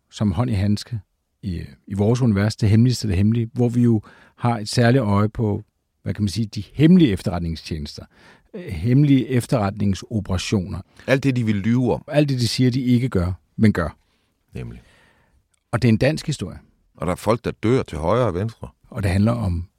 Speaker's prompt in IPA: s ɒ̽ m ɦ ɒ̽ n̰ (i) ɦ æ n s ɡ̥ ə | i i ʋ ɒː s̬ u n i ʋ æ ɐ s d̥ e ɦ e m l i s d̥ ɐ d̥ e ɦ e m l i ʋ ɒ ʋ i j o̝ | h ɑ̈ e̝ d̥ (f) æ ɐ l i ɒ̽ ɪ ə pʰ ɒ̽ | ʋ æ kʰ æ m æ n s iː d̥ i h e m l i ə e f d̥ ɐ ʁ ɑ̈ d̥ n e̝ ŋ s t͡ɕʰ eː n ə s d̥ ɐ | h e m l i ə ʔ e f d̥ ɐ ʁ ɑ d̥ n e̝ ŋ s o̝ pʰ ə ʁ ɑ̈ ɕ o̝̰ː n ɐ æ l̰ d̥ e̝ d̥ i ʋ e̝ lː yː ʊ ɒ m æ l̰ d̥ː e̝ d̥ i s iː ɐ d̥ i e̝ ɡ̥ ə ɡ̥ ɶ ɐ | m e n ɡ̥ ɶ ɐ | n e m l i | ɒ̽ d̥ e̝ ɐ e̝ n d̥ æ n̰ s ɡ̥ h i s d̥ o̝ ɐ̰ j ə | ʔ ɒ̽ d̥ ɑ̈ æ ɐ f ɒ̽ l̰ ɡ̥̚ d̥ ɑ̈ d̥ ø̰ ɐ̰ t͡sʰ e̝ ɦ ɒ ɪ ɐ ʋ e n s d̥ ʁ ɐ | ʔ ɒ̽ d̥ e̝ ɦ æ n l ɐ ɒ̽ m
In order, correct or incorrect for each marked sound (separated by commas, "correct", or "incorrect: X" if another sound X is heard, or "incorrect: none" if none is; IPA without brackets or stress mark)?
correct, incorrect: s